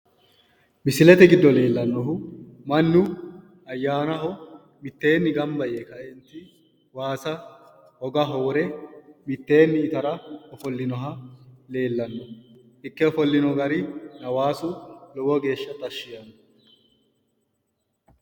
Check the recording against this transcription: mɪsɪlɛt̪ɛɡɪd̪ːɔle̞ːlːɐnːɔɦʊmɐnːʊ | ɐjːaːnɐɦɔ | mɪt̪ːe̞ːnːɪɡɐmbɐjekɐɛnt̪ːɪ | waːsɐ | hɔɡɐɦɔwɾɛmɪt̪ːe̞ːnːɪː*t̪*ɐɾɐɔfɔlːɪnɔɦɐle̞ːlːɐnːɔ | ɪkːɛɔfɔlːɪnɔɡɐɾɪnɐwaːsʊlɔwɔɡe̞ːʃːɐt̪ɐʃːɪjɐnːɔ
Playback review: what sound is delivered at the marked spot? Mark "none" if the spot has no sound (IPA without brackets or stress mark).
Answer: t̪